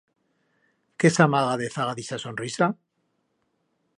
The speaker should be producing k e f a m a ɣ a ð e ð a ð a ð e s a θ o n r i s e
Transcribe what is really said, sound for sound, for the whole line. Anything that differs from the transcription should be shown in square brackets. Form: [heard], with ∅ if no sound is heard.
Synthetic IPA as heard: k e [s] a m a ɣ a ð e [θ] a [ɣ] a ð [i] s a [s] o n r i s [a]